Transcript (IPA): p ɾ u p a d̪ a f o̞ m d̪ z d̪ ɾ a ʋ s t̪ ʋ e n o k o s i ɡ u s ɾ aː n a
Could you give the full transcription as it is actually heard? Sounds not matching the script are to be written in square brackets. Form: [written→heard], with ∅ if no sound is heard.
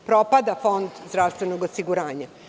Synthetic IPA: p ɾ [u→o] p a d̪ a f o̞ [m→n] d̪ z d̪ ɾ a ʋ s t̪ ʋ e n o [k→ɡ] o s i ɡ u [s→∅] ɾ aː [n→ɲ] a